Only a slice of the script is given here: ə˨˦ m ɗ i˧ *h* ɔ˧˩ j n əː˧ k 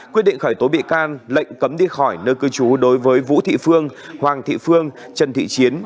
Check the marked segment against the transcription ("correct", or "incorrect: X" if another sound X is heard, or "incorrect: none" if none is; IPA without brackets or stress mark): incorrect: x